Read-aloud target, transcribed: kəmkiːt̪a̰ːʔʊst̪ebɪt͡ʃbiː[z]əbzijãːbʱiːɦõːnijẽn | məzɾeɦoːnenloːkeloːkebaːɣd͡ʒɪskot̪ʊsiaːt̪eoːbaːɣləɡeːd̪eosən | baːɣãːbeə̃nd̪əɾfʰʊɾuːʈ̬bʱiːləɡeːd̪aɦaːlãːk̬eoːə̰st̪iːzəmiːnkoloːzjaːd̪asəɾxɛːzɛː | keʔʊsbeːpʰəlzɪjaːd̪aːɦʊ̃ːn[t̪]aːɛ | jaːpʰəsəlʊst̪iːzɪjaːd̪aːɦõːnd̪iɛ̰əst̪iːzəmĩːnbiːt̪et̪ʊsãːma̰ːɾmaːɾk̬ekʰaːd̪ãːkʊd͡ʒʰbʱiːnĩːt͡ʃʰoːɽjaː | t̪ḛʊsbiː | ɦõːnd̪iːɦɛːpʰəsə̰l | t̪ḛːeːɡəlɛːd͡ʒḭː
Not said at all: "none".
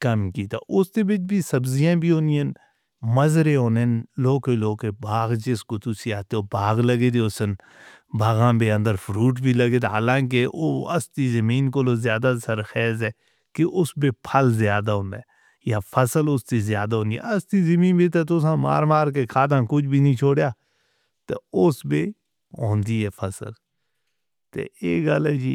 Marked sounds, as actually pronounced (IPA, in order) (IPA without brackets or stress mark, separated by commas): s, d̪